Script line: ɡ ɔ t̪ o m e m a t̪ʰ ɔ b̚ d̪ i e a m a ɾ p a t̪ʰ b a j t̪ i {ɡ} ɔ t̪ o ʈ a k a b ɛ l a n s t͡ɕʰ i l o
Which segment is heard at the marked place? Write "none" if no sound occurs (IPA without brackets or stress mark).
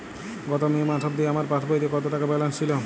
k